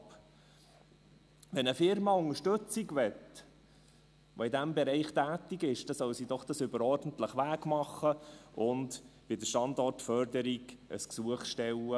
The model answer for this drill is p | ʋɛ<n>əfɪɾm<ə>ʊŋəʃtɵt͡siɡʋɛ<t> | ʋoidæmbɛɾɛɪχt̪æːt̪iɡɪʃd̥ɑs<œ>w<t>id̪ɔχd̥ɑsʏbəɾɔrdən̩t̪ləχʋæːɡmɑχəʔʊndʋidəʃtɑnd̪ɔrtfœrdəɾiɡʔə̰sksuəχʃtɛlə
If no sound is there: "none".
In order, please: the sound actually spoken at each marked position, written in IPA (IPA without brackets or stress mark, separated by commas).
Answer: n, ɑ, t, œ, s